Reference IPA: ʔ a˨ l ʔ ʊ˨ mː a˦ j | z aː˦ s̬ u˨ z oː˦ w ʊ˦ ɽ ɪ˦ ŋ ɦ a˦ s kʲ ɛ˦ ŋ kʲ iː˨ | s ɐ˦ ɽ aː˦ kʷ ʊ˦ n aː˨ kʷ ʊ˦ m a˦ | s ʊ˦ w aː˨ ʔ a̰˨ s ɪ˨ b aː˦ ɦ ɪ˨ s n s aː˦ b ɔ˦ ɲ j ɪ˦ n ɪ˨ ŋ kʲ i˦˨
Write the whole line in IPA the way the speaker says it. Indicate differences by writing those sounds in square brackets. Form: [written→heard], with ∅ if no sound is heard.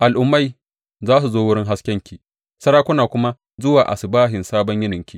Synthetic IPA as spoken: ʔ a˨ l ʔ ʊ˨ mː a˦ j | z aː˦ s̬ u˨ z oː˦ w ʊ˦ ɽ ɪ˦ ŋ ɦ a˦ s kʲ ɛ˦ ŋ kʲ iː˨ | s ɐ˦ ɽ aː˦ kʷ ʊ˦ n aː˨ kʷ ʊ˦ m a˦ | [s→z] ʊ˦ w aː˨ ʔ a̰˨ s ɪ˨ b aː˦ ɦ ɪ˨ [s→∅] n s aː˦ b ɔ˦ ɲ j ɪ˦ n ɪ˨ ŋ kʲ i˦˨